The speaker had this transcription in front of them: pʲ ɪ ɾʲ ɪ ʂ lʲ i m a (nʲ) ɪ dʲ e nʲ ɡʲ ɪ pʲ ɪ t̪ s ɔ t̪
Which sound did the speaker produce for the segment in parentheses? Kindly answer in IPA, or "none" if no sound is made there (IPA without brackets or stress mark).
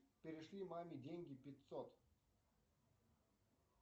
mʲ